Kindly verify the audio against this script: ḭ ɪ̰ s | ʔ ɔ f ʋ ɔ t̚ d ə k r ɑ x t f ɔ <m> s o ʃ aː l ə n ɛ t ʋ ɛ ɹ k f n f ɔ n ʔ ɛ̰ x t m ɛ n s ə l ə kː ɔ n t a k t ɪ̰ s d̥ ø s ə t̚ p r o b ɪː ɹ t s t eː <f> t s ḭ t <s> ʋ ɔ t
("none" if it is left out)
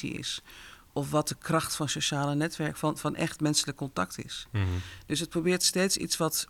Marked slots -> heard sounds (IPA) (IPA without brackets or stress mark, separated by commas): n, none, s